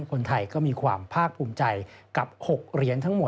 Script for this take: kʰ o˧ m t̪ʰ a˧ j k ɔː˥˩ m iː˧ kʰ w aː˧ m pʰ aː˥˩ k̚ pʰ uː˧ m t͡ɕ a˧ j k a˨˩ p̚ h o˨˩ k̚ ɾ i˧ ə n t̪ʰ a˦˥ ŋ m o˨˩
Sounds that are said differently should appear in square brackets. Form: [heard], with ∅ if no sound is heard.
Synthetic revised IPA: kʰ o˧ [n] t̪ʰ a˧ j k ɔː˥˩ m iː˧ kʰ w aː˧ m pʰ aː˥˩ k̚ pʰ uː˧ m t͡ɕ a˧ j k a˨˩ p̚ h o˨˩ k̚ ɾ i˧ ə n t̪ʰ a˦˥ ŋ m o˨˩

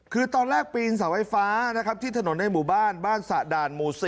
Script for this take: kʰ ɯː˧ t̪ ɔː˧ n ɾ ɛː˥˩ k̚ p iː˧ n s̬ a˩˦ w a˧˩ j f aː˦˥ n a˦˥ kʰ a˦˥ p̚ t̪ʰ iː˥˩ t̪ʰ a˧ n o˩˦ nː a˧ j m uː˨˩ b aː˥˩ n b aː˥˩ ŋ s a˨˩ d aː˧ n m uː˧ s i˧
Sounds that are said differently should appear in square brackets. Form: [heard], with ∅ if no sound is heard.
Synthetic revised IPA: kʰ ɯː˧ t̪ ɔː˧ n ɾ ɛː˥˩ k̚ p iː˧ n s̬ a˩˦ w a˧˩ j f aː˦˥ n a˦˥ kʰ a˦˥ p̚ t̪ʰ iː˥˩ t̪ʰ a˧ n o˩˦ nː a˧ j m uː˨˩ b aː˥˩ n b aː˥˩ [n] s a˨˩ d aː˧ n m uː˧ s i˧

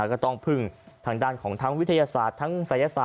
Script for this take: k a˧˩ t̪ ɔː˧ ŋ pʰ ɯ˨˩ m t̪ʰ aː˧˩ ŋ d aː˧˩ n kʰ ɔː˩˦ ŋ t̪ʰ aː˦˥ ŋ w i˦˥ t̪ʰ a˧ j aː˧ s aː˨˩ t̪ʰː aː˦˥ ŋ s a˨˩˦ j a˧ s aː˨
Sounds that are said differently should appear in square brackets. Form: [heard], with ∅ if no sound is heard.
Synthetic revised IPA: k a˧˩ t̪ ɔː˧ ŋ pʰ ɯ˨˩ [ŋ] t̪ʰ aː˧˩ ŋ d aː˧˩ n kʰ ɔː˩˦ ŋ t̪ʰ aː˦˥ ŋ w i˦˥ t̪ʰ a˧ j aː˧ s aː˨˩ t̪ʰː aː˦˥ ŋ s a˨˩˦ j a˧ s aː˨

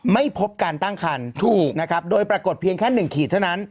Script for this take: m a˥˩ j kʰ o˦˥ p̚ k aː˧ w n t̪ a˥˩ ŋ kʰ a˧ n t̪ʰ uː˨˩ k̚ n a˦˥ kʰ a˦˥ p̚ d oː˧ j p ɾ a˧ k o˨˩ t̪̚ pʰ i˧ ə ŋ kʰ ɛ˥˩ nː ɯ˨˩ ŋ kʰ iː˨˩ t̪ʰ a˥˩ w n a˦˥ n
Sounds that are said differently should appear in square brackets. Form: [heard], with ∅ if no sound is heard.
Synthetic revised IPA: m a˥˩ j [pʰ] o˦˥ p̚ k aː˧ [∅] n t̪ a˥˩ ŋ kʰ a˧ n t̪ʰ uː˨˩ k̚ n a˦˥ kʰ a˦˥ p̚ d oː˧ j p ɾ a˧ k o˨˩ t̪̚ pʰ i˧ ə ŋ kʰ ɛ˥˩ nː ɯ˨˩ ŋ kʰ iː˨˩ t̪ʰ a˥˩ w n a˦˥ n

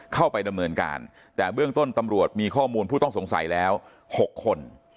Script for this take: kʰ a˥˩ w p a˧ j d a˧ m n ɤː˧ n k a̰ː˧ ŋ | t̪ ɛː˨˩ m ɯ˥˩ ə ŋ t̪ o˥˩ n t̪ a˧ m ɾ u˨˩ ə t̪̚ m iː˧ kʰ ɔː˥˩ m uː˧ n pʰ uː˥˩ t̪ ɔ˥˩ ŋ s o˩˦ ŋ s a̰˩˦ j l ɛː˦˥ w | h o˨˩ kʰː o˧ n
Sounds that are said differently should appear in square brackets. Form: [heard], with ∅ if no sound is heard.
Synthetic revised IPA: kʰ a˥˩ w p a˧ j d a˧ m n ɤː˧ n k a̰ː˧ [n] | t̪ ɛː˨˩ [b] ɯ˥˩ ə ŋ t̪ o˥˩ n t̪ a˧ m ɾ u˨˩ ə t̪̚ m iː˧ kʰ ɔː˥˩ m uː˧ n pʰ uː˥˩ t̪ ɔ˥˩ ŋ s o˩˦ ŋ s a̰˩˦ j l ɛː˦˥ w | h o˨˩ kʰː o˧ n

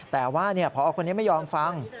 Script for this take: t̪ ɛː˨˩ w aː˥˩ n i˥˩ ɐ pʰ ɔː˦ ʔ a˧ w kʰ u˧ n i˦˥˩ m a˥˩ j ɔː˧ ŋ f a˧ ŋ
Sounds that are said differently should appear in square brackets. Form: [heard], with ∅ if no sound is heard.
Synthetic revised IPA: t̪ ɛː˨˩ w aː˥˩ n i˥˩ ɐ pʰ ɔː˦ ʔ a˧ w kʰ [o˧] n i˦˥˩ m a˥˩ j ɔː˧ [m] f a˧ ŋ

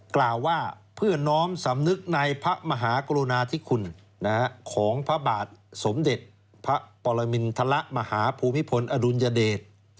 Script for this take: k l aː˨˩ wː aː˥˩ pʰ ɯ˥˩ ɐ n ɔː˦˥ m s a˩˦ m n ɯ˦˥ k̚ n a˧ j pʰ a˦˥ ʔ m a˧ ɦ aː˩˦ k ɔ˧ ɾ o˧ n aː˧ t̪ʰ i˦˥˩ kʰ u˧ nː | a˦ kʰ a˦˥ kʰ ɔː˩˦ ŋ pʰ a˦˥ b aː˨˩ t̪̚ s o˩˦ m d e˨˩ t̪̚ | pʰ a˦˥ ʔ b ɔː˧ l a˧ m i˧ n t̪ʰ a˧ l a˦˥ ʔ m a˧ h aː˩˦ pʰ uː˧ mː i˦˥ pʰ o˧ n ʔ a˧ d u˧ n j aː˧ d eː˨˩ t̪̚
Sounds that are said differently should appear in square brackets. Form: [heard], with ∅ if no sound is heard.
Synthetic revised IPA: k l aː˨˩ wː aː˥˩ pʰ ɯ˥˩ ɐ n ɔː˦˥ m s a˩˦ m n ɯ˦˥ k̚ n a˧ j pʰ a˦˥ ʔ m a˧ ɦ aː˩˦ k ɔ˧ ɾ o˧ n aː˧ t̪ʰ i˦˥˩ kʰ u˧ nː | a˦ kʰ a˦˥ kʰ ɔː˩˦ ŋ pʰ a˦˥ b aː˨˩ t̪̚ s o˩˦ m d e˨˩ t̪̚ | pʰ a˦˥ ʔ [p] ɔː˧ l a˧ m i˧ n t̪ʰ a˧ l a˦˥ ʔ m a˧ h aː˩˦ pʰ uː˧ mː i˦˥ pʰ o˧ n ʔ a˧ d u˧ n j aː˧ d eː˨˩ t̪̚

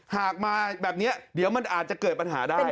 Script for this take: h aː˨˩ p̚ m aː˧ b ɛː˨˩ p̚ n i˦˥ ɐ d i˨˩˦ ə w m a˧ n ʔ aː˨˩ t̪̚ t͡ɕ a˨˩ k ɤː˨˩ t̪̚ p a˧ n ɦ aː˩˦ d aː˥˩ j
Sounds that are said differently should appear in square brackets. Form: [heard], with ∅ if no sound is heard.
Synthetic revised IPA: h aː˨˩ [k̚] m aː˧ b ɛː˨˩ p̚ n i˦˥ ɐ d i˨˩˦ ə w m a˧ n ʔ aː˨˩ t̪̚ t͡ɕ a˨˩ k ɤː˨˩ t̪̚ p a˧ n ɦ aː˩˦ d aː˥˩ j

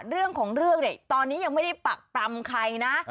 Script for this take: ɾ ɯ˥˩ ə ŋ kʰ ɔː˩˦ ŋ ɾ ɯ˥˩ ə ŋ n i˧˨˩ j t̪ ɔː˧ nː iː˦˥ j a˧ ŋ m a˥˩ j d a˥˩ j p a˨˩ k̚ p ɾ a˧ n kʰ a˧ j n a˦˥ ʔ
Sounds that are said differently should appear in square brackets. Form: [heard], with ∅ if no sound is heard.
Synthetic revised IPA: ɾ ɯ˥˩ ə ŋ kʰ ɔː˩˦ ŋ ɾ ɯ˥˩ ə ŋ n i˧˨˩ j t̪ ɔː˧ nː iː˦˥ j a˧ ŋ m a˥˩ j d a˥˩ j p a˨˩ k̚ p ɾ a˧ [m] kʰ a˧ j n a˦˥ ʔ

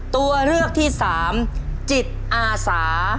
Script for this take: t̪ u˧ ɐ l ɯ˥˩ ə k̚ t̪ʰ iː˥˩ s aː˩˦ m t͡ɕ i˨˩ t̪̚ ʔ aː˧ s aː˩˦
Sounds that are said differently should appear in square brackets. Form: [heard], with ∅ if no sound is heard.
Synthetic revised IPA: t̪ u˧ ɐ [ɾ] ɯ˥˩ ə k̚ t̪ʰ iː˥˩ s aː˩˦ m t͡ɕ i˨˩ t̪̚ ʔ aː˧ s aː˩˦

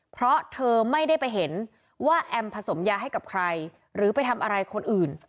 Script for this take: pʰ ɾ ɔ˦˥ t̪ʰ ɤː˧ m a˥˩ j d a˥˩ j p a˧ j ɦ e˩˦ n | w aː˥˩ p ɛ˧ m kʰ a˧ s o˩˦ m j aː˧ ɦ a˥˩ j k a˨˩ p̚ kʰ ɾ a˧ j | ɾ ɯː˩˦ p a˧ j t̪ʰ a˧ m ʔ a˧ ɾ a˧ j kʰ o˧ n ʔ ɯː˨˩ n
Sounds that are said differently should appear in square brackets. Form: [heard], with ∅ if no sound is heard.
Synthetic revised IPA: pʰ ɾ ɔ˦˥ t̪ʰ ɤː˧ m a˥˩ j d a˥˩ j p a˧ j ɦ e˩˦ n | w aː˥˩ [ʔ] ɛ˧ m [pʰ] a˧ s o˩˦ m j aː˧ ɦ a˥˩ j k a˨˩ p̚ kʰ ɾ a˧ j | ɾ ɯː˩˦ p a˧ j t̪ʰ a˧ m ʔ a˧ ɾ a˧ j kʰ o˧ n ʔ ɯː˨˩ n

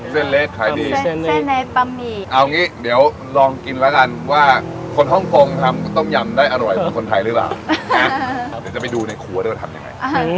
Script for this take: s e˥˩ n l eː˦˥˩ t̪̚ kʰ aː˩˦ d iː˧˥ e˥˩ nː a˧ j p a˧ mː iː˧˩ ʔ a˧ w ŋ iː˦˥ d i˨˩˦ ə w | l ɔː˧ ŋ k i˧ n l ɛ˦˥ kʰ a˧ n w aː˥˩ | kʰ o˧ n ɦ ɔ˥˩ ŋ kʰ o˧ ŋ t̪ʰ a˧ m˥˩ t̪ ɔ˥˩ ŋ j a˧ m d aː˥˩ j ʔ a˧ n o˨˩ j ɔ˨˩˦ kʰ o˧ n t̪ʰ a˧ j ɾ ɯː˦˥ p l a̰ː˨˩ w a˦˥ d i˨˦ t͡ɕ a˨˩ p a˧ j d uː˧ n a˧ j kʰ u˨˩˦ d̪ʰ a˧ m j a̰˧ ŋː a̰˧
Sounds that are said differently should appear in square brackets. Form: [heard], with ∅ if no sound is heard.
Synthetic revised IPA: s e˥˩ n l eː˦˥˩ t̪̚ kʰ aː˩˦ d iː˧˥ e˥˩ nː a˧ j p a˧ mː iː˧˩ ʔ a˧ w ŋ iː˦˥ d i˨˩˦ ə w | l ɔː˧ ŋ k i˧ n l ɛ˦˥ [k] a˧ n w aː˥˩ | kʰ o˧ n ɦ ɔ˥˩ ŋ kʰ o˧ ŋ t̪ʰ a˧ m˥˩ t̪ ɔ˥˩ ŋ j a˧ m d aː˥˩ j ʔ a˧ n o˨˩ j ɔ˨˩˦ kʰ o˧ n t̪ʰ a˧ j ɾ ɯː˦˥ p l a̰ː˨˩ w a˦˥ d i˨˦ t͡ɕ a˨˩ p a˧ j d uː˧ n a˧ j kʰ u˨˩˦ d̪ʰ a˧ m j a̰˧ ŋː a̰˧

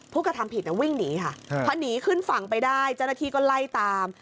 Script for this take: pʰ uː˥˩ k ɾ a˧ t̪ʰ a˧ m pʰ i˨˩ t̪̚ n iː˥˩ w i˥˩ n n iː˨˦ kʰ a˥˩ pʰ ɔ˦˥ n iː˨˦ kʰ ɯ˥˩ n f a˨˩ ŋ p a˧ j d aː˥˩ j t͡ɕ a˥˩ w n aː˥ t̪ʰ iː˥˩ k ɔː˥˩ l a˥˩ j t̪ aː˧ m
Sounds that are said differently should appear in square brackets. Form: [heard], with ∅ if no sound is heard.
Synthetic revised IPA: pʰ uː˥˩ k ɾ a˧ t̪ʰ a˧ m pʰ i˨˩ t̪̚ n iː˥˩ w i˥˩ [ŋ] n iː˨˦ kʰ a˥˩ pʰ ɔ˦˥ n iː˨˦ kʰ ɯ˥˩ n f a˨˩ ŋ p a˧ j d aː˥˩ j t͡ɕ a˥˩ w n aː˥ t̪ʰ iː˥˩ k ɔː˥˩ l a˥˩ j t̪ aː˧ m

